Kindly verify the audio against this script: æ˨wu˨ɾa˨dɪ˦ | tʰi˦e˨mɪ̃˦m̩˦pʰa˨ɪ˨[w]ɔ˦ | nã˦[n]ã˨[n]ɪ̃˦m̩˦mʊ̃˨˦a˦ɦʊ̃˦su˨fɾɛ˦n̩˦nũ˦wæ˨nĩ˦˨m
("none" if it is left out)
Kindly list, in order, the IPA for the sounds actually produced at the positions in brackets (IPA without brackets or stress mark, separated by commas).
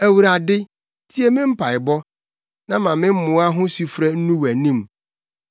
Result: b, m, m